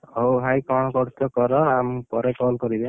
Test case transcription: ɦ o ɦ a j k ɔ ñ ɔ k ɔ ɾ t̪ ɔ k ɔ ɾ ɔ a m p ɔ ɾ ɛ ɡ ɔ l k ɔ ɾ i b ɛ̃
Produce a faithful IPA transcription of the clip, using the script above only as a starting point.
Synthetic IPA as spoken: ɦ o ɦ a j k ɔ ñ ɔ k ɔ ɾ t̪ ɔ k ɔ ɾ ɔ a m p ɔ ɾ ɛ k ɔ l k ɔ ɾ i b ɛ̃